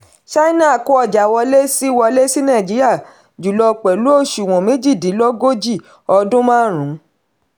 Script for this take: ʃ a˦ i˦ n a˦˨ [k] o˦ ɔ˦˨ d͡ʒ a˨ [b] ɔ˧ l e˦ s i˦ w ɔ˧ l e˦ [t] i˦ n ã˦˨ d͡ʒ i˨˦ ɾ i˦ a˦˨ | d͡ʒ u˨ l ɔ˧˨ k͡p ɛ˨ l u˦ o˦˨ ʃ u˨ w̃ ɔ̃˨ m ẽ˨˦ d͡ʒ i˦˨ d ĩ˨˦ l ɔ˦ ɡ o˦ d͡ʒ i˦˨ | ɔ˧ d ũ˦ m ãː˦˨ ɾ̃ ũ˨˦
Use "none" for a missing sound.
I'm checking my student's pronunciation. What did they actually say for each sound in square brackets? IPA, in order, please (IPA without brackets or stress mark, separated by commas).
k, w, s